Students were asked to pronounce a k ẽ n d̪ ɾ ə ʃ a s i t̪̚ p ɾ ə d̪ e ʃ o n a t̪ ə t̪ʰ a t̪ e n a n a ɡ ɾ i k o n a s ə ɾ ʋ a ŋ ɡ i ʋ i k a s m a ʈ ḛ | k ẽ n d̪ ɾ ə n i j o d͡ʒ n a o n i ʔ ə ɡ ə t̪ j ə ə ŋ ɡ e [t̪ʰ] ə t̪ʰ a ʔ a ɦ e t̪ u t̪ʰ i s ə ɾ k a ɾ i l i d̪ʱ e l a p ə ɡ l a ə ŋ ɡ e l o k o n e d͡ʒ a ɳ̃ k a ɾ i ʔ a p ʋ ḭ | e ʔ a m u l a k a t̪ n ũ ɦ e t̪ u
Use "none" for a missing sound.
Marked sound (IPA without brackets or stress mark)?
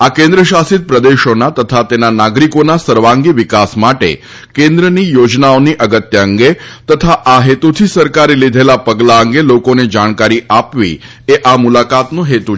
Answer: t̪